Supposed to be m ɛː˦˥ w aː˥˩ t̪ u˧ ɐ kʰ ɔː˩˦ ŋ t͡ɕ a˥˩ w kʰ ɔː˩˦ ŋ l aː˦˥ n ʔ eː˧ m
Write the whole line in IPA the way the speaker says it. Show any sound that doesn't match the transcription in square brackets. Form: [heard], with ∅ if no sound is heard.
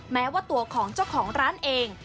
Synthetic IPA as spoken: m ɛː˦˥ w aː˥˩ t̪ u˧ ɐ kʰ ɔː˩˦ ŋ t͡ɕ a˥˩ w kʰ ɔː˩˦ ŋ [ɾ] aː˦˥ n ʔ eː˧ [ŋ]